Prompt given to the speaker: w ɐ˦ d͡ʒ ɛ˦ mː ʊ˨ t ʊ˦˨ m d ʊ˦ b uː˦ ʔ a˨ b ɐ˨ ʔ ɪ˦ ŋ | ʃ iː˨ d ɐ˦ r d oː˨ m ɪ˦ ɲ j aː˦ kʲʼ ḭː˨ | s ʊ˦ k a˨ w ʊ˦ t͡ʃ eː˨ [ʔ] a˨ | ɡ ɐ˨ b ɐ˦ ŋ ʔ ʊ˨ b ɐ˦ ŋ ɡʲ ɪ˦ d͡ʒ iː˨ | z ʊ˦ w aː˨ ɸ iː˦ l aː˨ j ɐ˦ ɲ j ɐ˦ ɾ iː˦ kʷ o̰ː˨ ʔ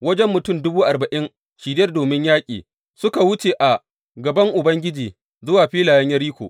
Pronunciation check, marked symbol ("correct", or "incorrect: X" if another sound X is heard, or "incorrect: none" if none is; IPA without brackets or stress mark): correct